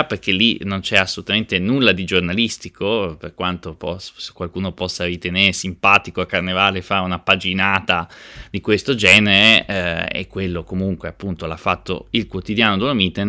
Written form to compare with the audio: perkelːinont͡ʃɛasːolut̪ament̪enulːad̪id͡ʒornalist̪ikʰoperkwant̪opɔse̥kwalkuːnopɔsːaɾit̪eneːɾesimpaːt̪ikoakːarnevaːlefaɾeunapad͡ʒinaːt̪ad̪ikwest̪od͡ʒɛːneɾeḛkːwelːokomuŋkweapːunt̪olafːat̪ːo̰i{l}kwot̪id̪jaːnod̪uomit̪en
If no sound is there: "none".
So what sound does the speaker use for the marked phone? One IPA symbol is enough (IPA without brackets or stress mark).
l